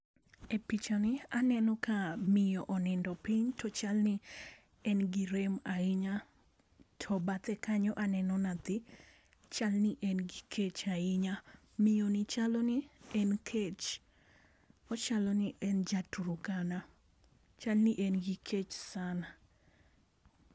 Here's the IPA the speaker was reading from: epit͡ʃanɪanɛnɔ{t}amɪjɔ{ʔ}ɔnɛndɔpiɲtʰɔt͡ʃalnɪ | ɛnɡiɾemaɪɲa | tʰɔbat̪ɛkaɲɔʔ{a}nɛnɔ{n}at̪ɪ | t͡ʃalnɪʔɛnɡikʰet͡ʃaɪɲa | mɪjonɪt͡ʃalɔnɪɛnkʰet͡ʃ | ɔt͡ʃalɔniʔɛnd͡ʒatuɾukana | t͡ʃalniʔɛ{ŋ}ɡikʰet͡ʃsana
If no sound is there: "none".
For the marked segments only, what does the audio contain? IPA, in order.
k, ʔ, a, n, n

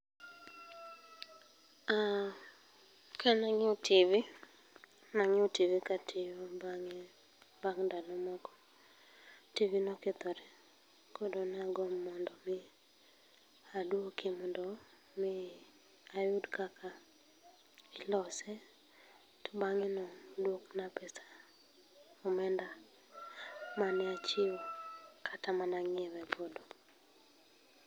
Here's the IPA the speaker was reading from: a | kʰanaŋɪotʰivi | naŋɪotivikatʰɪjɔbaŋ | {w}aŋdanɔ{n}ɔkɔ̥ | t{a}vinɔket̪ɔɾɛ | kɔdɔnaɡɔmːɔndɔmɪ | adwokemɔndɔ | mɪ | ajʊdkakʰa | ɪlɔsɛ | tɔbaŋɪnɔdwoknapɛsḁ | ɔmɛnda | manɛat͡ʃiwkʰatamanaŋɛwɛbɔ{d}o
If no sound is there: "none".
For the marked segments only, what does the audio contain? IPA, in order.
b, m, i, d

